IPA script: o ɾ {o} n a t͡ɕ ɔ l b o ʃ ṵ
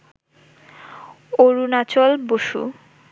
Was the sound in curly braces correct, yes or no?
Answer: no